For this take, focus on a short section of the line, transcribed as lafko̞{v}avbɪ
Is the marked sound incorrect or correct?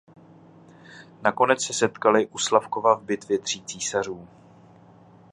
correct